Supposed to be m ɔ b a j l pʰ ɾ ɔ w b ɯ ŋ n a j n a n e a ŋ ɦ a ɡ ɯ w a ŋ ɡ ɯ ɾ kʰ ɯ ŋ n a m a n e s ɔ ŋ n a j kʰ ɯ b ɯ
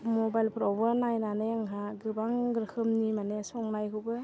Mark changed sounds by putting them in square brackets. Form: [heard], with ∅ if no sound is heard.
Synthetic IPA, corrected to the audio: m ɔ b a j l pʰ ɾ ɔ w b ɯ [∅] n a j n a n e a ŋ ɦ a ɡ ɯ [b] a ŋ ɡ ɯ ɾ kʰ ɯ [m] n [i] m a n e s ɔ ŋ n a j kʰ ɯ b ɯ